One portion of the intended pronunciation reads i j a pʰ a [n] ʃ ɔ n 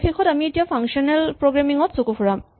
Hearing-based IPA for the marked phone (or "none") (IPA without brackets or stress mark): ŋ